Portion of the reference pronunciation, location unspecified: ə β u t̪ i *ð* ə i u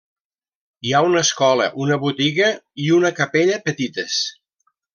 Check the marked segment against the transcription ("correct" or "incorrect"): incorrect